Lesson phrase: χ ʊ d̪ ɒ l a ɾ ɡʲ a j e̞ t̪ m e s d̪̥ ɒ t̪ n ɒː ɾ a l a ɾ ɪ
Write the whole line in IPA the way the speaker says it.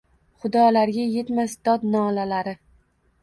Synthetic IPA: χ ʊ d̪ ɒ l a ɾ ɡʲ a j e̞ t̪ m a s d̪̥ ɒ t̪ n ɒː l a l a ɾ ɪ